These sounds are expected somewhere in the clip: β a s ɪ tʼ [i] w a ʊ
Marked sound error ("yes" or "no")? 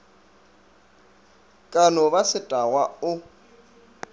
yes